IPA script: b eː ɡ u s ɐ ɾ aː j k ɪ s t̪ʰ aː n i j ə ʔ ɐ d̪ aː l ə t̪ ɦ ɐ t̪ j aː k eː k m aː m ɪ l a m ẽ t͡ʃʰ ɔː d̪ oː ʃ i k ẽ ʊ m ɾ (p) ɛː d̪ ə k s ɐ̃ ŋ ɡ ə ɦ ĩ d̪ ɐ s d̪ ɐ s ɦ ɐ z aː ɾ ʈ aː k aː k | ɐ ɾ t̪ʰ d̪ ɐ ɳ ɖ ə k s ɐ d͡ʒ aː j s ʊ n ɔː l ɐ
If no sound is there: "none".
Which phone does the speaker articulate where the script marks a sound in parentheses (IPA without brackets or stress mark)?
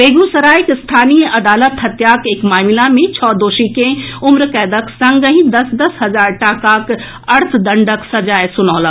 k